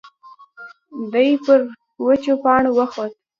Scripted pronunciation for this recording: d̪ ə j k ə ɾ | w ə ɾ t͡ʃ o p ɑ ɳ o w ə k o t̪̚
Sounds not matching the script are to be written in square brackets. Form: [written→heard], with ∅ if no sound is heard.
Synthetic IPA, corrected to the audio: d̪ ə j [k→p] ə ɾ | w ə [ɾ→∅] t͡ʃ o p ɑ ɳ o w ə [k→x] o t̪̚